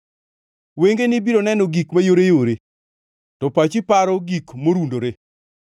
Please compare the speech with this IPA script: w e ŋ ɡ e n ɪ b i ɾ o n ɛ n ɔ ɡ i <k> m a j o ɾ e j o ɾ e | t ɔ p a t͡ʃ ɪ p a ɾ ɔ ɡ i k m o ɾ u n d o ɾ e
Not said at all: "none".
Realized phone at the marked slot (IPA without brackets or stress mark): k